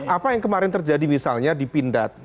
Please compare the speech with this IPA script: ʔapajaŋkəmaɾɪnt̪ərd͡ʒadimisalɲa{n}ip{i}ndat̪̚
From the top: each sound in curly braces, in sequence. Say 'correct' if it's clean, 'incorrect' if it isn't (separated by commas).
incorrect, correct